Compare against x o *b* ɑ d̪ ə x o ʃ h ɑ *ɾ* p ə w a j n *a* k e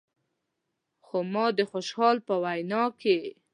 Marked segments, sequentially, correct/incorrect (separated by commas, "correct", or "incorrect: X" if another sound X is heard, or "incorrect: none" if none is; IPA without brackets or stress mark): incorrect: m, incorrect: l, incorrect: ɑ